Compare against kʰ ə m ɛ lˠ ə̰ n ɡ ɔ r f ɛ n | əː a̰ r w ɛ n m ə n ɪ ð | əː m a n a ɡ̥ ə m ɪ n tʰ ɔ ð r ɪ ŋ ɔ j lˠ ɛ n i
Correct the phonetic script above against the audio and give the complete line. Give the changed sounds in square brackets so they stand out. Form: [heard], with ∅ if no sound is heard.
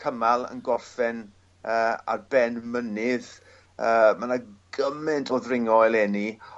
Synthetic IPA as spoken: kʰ ə m [a] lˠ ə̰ n ɡ ɔ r f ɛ n | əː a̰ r [b] ɛ n m ə n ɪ ð | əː m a n a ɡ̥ ə m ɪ n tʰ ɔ ð r ɪ ŋ ɔ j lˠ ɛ n i

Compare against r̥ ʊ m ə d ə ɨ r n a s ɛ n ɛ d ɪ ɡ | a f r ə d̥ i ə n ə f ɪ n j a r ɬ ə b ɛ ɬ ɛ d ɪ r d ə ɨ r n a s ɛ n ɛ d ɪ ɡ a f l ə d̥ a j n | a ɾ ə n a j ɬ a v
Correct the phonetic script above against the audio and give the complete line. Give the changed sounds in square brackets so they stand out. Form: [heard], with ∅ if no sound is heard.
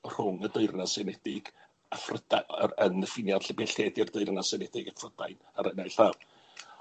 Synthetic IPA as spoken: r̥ ʊ [ŋ] ə d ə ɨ r n a s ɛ n ɛ d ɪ ɡ | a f r ə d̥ [a] ə n ə f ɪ n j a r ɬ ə b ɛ ɬ ɛ d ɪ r d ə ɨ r n a s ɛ n ɛ d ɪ ɡ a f [r] ə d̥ a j n | a ɾ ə n a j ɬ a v

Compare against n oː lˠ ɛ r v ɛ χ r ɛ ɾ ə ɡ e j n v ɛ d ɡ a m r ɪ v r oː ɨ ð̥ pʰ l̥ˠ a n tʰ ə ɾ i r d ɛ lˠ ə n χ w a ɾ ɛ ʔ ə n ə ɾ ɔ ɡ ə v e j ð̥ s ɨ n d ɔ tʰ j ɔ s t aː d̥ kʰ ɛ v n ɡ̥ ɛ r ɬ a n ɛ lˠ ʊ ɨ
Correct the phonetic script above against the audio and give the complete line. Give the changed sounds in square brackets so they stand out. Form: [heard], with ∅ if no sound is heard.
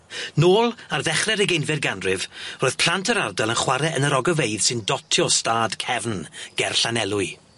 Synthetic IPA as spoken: n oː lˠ [a] r [ð] ɛ χ r ɛ ɾ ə ɡ e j n v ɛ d ɡ a [n] r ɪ v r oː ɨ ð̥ pʰ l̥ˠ a n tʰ ə ɾ [a] r d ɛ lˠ ə n χ w a ɾ ɛ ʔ ə n ə ɾ ɔ ɡ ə v e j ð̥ s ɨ n d ɔ tʰ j ɔ s t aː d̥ kʰ ɛ v n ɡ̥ ɛ r ɬ a n ɛ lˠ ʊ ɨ

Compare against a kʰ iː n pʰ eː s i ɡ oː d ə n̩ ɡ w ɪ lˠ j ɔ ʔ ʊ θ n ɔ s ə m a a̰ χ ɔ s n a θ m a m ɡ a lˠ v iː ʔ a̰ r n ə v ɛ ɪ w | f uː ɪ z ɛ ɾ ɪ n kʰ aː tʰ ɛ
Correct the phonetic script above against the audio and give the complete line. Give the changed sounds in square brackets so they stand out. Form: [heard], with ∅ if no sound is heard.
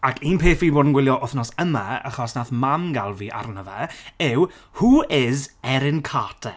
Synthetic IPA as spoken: a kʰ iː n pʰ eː [f] i [b] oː d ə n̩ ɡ w ɪ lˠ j ɔ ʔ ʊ θ n ɔ s ə m a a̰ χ ɔ s n a θ m a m ɡ a lˠ v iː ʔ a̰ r n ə v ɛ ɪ w | [h] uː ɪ z ɛ ɾ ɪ n kʰ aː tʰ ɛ

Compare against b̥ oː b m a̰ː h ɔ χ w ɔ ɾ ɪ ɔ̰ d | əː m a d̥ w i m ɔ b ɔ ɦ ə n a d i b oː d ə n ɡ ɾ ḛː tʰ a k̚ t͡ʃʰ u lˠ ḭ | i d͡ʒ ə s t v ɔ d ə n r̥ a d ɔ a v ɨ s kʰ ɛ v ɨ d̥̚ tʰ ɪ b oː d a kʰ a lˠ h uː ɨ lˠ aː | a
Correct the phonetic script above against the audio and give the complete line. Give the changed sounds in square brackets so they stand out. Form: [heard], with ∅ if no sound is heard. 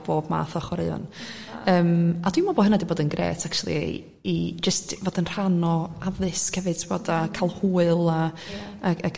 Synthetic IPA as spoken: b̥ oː b m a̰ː [θ] ɔ χ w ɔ ɾ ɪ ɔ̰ [n] | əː m a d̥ w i m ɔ b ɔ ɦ ə n a d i b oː d ə n ɡ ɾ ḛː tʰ a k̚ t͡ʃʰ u lˠ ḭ | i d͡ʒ ə s t v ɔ d ə n r̥ a [n] ɔ a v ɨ s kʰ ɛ v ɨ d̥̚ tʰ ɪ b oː d a kʰ a lˠ h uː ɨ lˠ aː | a

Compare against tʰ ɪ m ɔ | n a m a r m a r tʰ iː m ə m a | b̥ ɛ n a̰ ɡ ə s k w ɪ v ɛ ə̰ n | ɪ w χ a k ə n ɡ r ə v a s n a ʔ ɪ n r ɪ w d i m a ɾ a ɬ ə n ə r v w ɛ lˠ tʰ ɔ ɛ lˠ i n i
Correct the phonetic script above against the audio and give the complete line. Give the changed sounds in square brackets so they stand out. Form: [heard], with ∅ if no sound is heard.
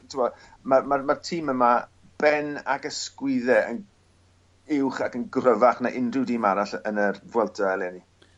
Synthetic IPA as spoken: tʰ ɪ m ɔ | [m] a m a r m a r tʰ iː m ə m a | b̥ ɛ n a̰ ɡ ə s k w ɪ [ð] ɛ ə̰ n | ɪ w χ a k ə n ɡ r ə v a [χ] n a ʔ ɪ n r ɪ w d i m a ɾ a ɬ ə n ə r v w ɛ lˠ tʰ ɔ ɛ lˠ [ɛ] n i

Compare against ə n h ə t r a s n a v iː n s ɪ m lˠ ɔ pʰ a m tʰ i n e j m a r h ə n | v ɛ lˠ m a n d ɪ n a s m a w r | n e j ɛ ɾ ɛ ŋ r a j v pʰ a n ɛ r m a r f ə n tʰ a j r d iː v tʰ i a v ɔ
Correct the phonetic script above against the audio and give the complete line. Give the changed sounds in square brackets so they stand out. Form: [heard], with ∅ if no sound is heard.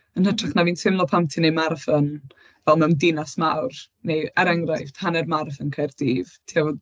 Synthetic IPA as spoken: ə n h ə t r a [χ] n a v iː n s ɪ m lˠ ɔ pʰ a m tʰ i n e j m a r [f] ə n | v ɛ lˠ m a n d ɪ n a s m a w r | n e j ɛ ɾ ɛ ŋ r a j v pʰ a n ɛ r m a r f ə n [kʰ] a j r d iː v tʰ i a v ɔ

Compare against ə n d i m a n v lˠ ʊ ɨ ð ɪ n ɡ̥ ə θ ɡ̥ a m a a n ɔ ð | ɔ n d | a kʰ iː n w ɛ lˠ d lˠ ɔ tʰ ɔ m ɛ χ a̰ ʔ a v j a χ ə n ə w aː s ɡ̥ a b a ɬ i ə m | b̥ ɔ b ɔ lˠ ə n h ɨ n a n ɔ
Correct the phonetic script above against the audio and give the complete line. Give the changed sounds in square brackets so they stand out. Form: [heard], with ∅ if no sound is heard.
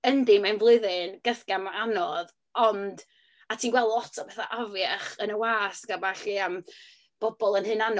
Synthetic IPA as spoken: ə n d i m a n v lˠ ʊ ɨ ð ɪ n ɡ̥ ə θ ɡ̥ a m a a n ɔ ð | ɔ n d | a [tʰ] iː n w ɛ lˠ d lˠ ɔ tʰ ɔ [b] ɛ [θ] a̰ ʔ a v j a χ ə n ə w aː s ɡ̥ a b a ɬ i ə m | b̥ ɔ b ɔ lˠ ə n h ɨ n a n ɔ

